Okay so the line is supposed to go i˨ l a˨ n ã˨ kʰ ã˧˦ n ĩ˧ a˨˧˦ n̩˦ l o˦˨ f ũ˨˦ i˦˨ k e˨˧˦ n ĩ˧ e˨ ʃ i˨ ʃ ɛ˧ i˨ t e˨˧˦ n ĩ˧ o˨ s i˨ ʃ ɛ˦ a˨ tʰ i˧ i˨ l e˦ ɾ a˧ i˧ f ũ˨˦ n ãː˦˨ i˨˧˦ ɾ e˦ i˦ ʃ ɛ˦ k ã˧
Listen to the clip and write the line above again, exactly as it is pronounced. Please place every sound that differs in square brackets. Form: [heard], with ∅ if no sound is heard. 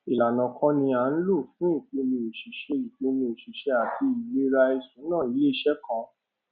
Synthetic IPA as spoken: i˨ l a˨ n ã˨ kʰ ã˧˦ n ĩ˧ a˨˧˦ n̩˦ l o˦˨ f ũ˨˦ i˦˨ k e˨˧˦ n ĩ˧ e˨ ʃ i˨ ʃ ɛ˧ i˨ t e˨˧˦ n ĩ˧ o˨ [ʃ] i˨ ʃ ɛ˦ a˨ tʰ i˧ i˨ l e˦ ɾ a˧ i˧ [s] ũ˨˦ n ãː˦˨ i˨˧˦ [l] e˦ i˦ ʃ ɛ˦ k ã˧